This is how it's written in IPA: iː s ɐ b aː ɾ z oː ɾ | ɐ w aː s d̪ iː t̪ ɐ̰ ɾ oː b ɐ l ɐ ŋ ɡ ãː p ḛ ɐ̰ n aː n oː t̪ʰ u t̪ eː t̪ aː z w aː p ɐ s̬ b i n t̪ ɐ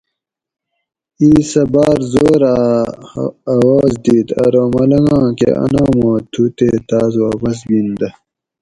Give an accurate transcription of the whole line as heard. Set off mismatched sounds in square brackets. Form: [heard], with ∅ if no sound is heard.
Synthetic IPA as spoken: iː s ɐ b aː ɾ z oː ɾ | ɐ w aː [z] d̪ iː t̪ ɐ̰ ɾ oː [m] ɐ l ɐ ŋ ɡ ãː [k] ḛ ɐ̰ n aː [m] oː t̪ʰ u t̪ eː t̪ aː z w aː p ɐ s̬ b i n [d̪] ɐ

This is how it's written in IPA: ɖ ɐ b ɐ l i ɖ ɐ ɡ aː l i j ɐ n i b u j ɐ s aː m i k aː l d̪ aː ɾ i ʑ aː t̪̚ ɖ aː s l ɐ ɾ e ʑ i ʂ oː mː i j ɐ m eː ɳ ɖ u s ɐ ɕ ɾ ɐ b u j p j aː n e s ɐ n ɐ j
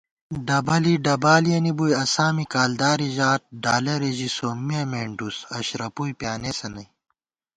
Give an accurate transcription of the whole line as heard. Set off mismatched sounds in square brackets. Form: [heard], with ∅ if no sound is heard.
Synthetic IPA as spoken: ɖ ɐ b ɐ l i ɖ ɐ [b] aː l i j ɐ n i b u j ɐ s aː m i k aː l d̪ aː ɾ i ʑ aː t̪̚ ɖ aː [∅] l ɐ ɾ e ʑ i [s] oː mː i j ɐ m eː ɳ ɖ u s ɐ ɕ ɾ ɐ [p] u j p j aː n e s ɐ n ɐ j

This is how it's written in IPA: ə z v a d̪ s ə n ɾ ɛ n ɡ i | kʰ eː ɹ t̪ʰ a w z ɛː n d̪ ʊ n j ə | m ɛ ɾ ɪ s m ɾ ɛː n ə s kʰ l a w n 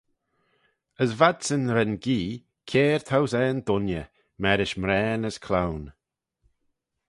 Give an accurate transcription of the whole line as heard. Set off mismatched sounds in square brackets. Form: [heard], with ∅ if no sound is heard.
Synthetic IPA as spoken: ə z v a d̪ s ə n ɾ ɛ n ɡ [iː] | kʰ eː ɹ t̪ʰ a w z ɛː n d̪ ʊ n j ə | m ɛ ɾ ɪ [ʃ] m ɾ ɛː n ə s kʰ l a w n

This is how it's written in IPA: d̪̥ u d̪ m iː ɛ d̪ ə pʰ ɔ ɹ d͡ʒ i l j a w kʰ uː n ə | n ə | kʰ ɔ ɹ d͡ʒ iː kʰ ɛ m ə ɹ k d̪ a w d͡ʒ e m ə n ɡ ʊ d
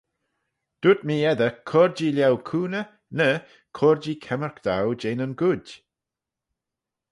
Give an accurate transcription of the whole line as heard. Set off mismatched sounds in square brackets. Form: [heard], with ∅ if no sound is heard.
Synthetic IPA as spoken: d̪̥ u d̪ m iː ɛ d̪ ə [kʰ] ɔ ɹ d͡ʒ i l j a w kʰ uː n ə | n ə | kʰ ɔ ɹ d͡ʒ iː kʰ ɛ m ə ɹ k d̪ a w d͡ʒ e [n] ə n ɡ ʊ d

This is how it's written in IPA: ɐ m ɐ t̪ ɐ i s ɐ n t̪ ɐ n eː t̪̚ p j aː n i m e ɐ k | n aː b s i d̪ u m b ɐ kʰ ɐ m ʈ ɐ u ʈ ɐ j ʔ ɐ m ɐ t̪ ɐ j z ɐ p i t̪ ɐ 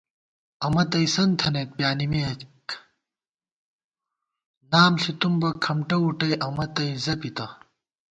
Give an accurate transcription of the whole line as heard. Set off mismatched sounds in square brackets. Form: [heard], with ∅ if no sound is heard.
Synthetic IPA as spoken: ɐ m ɐ t̪ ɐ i s ɐ n [t̪ʰ] ɐ n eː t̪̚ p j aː n i m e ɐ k | n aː [m] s i [t̪] u m b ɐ kʰ ɐ m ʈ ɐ u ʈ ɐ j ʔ ɐ m ɐ t̪ ɐ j z ɐ p i t̪ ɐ

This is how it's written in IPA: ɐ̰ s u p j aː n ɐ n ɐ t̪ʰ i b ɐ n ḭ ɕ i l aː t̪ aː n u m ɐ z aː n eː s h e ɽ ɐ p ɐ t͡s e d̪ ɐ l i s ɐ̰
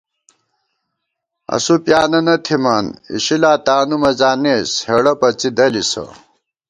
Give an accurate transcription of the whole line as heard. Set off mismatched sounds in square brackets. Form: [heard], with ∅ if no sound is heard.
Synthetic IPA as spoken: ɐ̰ s u p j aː n ɐ n ɐ t̪ʰ i [m] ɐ n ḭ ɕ i l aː t̪ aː n u m ɐ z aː n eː s h e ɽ ɐ p ɐ t͡s [i] d̪ ɐ l i s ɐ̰

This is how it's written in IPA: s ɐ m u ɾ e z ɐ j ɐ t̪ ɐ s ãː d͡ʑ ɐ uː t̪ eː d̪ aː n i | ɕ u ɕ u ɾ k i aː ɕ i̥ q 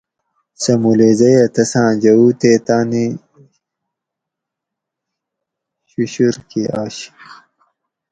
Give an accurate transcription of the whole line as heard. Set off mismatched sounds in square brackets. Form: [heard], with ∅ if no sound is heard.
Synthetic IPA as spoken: s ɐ m u [l] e z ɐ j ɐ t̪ ɐ s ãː d͡ʑ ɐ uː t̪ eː [t̪] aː n i | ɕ u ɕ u ɾ k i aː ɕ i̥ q

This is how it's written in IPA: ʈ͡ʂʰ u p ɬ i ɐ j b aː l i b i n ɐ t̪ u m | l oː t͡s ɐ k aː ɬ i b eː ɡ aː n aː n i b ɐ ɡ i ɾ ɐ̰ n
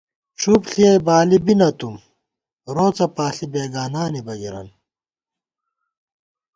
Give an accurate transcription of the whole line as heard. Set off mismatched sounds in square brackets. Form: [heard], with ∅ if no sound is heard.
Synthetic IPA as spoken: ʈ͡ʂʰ u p ɬ i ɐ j b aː l i b i n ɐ t̪ u m | [ɾ] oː t͡s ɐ [p] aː ɬ i b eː ɡ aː n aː n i b ɐ ɡ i ɾ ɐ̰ n

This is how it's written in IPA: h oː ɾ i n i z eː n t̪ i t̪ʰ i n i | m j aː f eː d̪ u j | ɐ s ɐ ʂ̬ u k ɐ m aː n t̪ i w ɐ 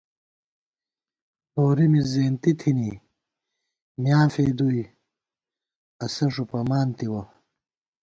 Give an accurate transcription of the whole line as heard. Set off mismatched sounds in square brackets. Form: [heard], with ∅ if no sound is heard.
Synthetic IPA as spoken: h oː ɾ i [m] i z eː n t̪ i t̪ʰ i n i | m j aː f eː d̪ u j | ɐ s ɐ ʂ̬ u [p] ɐ m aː n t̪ i w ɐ

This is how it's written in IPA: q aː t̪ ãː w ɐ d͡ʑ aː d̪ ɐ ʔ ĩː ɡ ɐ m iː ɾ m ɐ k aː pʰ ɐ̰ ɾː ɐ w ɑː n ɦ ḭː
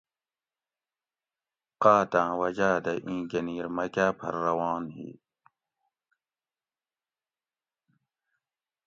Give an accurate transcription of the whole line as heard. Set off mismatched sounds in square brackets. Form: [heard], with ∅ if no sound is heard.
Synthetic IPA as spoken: q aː t̪ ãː w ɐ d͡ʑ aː d̪ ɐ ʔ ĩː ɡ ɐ [n] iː ɾ m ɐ k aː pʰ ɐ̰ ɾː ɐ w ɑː n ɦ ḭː

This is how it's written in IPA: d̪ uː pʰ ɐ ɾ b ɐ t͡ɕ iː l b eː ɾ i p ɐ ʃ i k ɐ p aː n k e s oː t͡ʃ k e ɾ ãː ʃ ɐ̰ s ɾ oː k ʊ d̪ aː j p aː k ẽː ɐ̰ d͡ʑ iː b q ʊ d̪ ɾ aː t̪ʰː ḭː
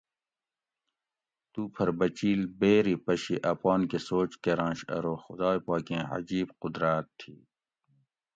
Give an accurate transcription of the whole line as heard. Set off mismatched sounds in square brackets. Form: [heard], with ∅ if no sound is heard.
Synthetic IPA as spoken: [t̪] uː pʰ ɐ ɾ b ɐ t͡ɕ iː l b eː ɾ i p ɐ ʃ i [ʔ] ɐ p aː n k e s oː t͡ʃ k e ɾ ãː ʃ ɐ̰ [∅] ɾ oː [x] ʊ d̪ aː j p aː k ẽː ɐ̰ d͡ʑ iː b q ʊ d̪ ɾ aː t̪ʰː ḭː

